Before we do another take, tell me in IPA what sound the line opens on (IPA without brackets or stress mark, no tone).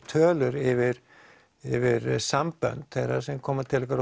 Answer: t̪ʰ